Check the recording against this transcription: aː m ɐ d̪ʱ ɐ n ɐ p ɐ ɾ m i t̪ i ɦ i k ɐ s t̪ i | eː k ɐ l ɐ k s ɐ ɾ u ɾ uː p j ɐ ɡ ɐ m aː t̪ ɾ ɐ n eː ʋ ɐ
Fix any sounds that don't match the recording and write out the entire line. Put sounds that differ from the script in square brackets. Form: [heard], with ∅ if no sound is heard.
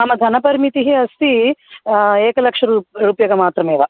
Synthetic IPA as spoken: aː m ɐ d̪ʱ ɐ n ɐ p ɐ ɾ m i t̪ i ɦ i [∅] ɐ s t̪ i | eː k ɐ l ɐ k [ʂ] ɐ ɾ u ɾ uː p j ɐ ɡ ɐ m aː t̪ ɾ ɐ [m] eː ʋ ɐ